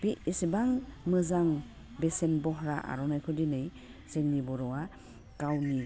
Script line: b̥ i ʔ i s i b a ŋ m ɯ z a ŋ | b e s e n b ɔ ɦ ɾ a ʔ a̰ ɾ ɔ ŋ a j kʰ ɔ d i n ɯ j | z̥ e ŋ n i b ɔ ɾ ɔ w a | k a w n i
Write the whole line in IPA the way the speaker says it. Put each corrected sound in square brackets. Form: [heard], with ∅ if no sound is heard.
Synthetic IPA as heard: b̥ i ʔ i s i b a ŋ m ɯ z a ŋ | b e s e n b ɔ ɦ ɾ a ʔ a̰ ɾ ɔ [n] a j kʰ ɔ d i n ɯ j | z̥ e ŋ n i b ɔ ɾ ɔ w a | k a w n i